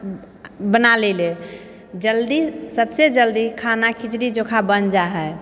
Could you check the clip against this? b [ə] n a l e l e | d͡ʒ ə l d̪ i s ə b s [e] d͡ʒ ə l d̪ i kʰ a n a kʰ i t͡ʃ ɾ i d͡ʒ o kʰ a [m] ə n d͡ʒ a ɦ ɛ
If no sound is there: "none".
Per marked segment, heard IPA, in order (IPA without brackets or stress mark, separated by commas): ə, e, b